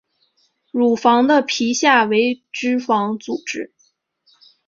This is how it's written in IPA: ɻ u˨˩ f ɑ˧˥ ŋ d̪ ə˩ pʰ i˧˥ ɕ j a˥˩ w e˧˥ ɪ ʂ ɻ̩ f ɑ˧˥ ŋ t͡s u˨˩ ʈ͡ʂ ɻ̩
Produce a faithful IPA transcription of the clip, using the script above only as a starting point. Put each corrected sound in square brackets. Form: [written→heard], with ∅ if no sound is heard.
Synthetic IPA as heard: ɻ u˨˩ f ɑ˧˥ ŋ d̪ [ə˩→ə˧] pʰ i˧˥ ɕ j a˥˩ w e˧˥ ɪ [ʂ→ʈ͡ʂ] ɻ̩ f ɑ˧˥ ŋ t͡s u˨˩ ʈ͡ʂ ɻ̩